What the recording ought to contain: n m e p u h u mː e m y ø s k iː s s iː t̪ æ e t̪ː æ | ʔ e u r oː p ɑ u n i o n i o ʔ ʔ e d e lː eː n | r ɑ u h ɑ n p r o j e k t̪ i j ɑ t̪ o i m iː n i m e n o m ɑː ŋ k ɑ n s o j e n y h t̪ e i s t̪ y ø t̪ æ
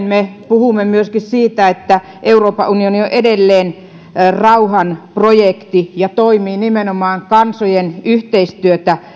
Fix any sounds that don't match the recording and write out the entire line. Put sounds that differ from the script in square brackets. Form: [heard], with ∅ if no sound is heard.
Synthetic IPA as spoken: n m e p u h u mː e m y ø s k [i] s s iː t̪ æ e t̪ː æ | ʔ e u r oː p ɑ u n i o n i o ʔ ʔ e d e lː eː n | r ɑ u h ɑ n p r o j e k t̪ i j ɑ t̪ o i m iː n i m e n o m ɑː ŋ k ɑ n s o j e n y h t̪ e i s t̪ y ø t̪ æ